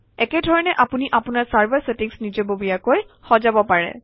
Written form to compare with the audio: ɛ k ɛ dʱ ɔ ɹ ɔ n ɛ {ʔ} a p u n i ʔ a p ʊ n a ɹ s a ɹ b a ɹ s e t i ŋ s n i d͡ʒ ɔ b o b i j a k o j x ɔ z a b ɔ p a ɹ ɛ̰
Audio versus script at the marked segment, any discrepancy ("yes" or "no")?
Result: no